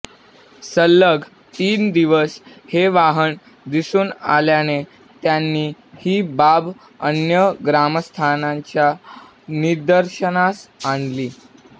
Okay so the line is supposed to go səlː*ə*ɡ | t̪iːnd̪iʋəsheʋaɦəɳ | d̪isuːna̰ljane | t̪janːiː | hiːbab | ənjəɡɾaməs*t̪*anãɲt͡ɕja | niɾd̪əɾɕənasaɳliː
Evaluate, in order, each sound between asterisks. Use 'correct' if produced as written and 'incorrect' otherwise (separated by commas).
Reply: correct, incorrect